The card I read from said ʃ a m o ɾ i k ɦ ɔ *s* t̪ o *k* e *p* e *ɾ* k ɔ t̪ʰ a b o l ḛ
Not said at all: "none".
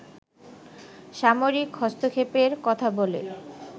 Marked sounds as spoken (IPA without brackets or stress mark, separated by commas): s, kʰ, p, ɾ